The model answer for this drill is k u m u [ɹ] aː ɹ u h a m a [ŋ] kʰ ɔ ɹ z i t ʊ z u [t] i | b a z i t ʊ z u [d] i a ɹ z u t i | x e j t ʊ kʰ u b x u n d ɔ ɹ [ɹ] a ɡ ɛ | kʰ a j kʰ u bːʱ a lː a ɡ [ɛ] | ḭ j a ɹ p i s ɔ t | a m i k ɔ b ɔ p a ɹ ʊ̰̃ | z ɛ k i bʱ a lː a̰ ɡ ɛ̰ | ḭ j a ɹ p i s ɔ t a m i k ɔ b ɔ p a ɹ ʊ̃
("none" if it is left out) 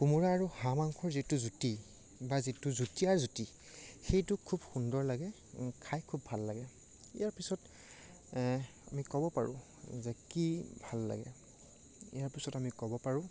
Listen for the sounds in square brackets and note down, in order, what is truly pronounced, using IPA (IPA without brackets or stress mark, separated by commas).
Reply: ɹ, ŋ, t, t, l, ɛ